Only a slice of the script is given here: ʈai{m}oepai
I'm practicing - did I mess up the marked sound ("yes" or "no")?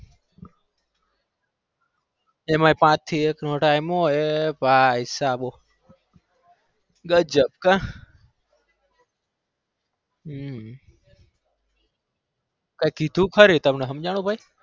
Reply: no